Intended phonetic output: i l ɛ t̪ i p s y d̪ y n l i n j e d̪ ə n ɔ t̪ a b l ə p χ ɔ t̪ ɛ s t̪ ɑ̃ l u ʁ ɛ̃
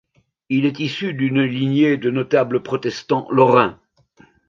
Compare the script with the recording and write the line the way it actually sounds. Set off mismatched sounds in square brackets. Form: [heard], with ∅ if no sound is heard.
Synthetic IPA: i l ɛ t̪ i [∅] s y d̪ y n l i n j e d̪ ə n ɔ t̪ a b l ə p χ ɔ t̪ ɛ s t̪ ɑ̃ l [ɔ] ʁ ɛ̃